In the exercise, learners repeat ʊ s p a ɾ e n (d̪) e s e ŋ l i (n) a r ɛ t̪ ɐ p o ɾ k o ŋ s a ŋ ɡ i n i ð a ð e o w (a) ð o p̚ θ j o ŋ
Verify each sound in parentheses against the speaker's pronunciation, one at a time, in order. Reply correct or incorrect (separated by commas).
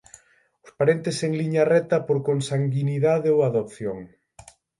incorrect, incorrect, correct